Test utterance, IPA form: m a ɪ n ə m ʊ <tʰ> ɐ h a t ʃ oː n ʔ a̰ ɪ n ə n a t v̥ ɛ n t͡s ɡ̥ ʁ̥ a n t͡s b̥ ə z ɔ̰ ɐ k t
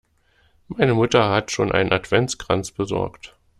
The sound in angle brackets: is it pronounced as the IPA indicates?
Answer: no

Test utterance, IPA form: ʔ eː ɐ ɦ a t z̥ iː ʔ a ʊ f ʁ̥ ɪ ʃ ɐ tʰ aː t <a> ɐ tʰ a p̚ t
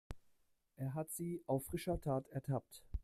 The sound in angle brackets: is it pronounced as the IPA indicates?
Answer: no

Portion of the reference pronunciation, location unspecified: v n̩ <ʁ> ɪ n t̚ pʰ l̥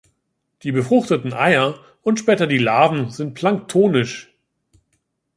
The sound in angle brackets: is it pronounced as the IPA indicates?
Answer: no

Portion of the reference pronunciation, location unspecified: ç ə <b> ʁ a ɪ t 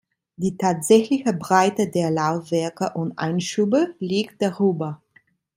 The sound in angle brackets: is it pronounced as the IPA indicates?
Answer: yes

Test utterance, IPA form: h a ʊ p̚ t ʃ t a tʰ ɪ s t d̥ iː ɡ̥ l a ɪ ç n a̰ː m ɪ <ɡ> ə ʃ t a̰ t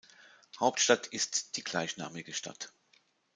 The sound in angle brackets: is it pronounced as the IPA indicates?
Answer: yes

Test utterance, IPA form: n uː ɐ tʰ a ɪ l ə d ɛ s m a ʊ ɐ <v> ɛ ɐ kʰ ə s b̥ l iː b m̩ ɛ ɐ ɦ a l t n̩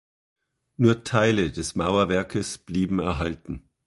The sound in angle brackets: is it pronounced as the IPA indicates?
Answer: yes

